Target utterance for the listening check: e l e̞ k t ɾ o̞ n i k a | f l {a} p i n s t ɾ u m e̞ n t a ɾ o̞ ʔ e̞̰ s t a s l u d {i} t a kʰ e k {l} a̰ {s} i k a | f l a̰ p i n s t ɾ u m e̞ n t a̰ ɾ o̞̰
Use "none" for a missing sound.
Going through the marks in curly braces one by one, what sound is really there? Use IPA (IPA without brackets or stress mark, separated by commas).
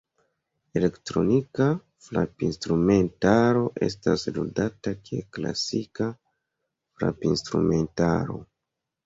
a, a, l, s